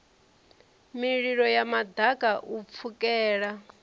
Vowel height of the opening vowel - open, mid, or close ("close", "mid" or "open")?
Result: close